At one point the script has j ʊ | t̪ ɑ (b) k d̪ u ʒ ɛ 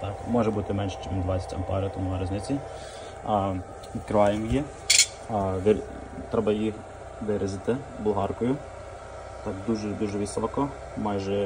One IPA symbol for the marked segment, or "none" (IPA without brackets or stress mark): none